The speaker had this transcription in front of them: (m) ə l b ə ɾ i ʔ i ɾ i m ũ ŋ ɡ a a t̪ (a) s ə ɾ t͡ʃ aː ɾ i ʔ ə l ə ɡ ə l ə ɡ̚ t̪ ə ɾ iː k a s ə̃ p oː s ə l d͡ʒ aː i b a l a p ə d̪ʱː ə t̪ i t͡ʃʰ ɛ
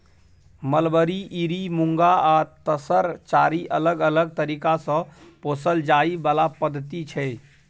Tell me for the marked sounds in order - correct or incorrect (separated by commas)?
correct, incorrect